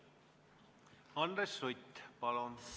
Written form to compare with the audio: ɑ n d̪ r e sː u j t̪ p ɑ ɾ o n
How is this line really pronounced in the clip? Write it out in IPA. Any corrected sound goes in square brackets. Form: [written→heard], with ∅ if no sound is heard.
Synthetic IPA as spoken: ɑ n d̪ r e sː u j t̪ p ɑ [ɾ→l] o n